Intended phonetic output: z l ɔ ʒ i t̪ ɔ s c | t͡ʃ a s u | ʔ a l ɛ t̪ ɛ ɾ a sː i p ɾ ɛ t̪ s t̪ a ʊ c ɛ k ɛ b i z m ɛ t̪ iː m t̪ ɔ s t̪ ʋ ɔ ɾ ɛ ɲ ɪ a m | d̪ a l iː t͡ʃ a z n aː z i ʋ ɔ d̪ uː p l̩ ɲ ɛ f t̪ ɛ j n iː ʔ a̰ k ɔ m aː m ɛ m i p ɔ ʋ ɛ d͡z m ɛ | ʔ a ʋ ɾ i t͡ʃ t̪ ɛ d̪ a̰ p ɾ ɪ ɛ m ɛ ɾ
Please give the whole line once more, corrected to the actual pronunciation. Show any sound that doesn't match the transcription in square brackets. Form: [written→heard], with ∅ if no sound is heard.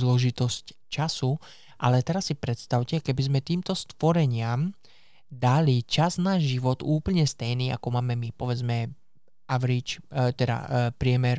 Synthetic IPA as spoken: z l ɔ ʒ i t̪ ɔ s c | t͡ʃ a s u | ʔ a l ɛ t̪ ɛ ɾ a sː i p ɾ ɛ t̪ s t̪ a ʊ c ɛ k ɛ b i z m ɛ t̪ iː m t̪ ɔ s t̪ ʋ ɔ ɾ ɛ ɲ ɪ a m | d̪ a l [iː→i] t͡ʃ a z n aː [z→ʒ] i ʋ ɔ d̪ uː p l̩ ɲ ɛ [f→s] t̪ ɛ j n iː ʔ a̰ k ɔ m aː m ɛ m i p ɔ ʋ ɛ d͡z m ɛ | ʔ a ʋ ɾ i t͡ʃ t̪ ɛ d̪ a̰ p ɾ ɪ ɛ m ɛ ɾ